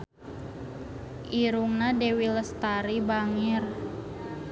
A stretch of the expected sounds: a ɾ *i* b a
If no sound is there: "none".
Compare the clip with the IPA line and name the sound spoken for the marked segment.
i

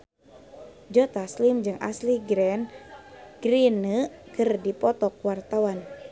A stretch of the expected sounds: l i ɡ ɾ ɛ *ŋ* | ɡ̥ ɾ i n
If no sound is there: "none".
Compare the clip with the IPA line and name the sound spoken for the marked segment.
n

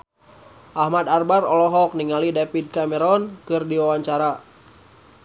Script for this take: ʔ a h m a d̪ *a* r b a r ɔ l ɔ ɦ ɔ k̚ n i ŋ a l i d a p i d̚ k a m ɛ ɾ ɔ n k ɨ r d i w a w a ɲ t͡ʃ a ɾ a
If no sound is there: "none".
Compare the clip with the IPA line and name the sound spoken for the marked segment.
a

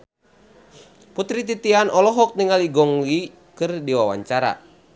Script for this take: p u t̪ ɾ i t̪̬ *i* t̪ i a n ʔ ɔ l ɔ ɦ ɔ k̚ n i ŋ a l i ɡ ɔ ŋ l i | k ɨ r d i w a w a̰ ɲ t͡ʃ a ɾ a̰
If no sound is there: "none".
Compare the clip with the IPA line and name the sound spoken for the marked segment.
i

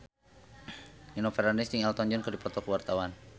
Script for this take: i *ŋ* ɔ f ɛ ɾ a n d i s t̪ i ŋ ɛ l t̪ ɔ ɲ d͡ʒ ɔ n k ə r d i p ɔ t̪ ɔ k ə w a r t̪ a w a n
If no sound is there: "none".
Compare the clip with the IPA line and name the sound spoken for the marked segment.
n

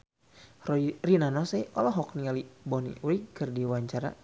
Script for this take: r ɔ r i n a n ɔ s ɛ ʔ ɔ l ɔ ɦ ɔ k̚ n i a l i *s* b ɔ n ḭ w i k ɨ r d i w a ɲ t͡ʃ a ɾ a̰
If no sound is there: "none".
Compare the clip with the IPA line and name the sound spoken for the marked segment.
none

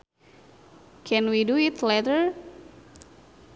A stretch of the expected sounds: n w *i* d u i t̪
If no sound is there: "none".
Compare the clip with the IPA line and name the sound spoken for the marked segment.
i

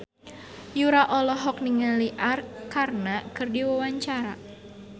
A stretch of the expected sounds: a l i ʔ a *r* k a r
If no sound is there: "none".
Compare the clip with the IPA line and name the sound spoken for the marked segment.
r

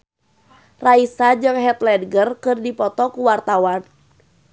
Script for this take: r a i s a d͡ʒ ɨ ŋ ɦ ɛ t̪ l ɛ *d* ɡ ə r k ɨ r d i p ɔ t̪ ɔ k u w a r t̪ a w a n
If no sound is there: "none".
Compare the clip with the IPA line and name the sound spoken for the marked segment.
d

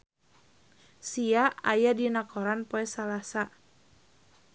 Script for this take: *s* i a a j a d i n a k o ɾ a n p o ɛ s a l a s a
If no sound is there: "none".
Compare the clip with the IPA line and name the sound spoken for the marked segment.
s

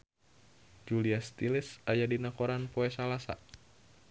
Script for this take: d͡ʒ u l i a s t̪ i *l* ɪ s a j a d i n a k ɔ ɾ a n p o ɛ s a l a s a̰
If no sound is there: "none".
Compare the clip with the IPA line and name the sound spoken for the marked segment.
l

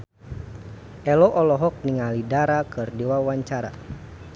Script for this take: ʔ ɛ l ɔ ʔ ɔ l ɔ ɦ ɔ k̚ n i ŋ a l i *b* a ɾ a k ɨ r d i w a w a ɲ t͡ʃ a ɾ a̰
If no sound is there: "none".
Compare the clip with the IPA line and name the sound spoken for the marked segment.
d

